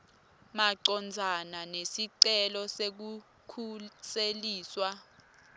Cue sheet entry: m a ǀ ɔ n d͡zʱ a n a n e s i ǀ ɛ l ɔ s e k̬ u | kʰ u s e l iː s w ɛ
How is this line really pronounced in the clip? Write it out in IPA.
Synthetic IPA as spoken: m a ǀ ɔ n d͡zʱ a n a n e s i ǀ ɛ l ɔ s e k̬ u | kʰ u s e l iː s w a